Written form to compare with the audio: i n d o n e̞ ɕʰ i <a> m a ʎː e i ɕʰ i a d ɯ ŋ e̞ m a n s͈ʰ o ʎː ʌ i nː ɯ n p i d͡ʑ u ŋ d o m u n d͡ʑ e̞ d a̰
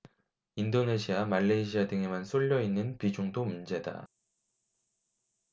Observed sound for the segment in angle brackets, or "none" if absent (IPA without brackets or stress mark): a